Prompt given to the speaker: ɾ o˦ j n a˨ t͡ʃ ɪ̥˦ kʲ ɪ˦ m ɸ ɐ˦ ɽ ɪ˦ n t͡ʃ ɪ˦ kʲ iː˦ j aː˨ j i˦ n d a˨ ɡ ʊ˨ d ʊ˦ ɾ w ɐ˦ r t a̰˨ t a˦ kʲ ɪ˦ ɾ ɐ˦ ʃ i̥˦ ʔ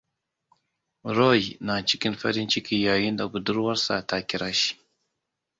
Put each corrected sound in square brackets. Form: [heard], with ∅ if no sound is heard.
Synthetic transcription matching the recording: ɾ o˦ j n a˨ t͡ʃ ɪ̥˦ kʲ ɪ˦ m ɸ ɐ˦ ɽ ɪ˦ n t͡ʃ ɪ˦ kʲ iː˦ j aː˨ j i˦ n d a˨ ɡ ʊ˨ d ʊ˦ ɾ w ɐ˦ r [s] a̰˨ t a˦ kʲ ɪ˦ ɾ [a˦] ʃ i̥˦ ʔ